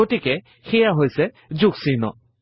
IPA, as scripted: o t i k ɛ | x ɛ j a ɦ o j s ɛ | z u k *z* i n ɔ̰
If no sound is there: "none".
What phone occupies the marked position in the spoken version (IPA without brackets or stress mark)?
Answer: s